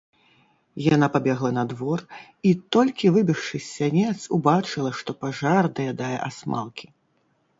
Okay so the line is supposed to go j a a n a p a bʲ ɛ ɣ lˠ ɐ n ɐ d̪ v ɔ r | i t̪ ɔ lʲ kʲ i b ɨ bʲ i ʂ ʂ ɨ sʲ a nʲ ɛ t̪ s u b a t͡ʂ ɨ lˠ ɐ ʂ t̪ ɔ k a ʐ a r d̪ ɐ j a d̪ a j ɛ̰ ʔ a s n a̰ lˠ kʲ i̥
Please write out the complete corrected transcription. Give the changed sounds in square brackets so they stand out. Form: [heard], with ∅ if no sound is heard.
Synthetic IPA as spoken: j a a n a p a bʲ ɛ ɣ lˠ ɐ n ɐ d̪ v ɔ r | i t̪ ɔ lʲ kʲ i [v] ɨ bʲ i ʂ ʂ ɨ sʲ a nʲ ɛ t̪ s u b a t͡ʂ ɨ lˠ ɐ ʂ t̪ ɔ [p] a ʐ a r d̪ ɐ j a d̪ a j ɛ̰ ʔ a s [m] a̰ lˠ kʲ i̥